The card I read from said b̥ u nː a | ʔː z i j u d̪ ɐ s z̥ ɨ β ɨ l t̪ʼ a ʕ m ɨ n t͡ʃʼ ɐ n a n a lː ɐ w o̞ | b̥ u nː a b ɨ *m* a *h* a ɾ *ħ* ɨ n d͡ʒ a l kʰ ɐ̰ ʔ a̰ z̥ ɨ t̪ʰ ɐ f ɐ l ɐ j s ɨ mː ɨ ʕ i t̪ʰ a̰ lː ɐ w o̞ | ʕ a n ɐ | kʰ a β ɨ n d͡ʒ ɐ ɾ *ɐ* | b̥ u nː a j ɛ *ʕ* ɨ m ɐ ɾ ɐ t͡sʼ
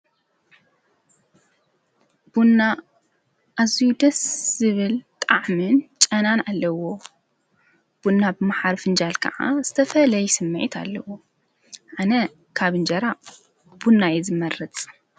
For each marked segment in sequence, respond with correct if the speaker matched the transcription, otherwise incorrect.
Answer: correct, incorrect: ħ, incorrect: f, incorrect: a, incorrect: z

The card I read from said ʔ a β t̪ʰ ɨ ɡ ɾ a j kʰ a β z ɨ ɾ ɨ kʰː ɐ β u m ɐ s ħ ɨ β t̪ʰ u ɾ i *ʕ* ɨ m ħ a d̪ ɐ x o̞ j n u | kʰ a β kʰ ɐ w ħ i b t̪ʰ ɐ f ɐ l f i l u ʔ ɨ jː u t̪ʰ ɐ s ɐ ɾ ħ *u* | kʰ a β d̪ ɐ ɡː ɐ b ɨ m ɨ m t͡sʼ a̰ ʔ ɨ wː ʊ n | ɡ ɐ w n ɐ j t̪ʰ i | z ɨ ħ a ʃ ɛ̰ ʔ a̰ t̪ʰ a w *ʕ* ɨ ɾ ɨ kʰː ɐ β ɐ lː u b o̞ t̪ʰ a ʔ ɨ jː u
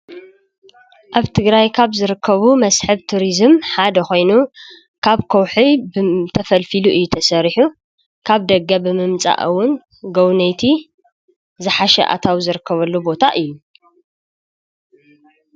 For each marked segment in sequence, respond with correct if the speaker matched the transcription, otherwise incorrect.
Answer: incorrect: z, correct, incorrect: z

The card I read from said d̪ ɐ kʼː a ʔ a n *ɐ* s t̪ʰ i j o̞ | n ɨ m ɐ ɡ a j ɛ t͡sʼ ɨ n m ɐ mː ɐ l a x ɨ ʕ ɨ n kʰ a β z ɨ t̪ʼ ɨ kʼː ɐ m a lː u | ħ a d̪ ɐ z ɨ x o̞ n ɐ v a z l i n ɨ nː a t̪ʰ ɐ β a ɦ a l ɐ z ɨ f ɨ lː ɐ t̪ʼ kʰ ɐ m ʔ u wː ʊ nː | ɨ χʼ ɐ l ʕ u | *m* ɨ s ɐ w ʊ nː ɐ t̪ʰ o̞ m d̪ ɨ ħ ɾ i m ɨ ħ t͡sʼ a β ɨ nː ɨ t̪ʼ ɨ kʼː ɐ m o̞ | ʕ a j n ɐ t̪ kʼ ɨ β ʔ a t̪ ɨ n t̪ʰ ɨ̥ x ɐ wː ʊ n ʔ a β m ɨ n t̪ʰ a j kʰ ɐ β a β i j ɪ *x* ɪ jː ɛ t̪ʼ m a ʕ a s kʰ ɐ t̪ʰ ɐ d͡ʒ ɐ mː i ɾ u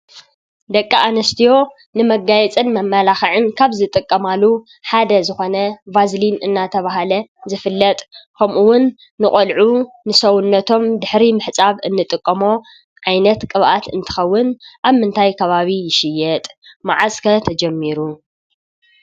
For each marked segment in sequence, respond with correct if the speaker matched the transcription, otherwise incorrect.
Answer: correct, incorrect: n, incorrect: ʃ

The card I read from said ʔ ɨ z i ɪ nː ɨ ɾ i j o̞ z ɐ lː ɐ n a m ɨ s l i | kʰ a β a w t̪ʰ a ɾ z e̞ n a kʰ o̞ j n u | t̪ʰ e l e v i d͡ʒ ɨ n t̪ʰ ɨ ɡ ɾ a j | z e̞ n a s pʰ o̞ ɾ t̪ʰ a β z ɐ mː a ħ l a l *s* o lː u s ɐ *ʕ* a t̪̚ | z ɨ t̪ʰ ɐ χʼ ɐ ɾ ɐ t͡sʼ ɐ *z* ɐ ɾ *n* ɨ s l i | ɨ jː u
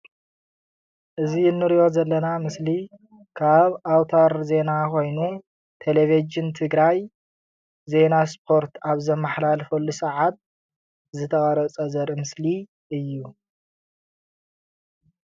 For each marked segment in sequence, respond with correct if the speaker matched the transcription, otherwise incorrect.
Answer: incorrect: f, correct, correct, incorrect: m

